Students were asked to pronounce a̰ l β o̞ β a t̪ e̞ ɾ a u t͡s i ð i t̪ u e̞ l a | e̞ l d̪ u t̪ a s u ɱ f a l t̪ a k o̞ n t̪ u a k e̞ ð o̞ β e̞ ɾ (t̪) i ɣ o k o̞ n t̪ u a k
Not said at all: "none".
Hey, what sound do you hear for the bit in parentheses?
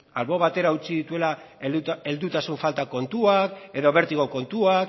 t̪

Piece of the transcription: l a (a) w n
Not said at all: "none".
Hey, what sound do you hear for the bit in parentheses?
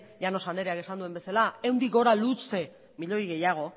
e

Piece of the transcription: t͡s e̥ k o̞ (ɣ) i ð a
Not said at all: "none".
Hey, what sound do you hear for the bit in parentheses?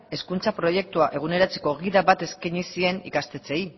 ɣ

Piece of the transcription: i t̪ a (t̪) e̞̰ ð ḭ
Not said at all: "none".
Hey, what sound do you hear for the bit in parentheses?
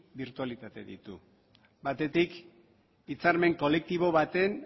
t̪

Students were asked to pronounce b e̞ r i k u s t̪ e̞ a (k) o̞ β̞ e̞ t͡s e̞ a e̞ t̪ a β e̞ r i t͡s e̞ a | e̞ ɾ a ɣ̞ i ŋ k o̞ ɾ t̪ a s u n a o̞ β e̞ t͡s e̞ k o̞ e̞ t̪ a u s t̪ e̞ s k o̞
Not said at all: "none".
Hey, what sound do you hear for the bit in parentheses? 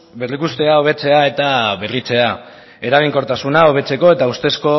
none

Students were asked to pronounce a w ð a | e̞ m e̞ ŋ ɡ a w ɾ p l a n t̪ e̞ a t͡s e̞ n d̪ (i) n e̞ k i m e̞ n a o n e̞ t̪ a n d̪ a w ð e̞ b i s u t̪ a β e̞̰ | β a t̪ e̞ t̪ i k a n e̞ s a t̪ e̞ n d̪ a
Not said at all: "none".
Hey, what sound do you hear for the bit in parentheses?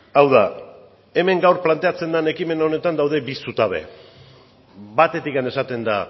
a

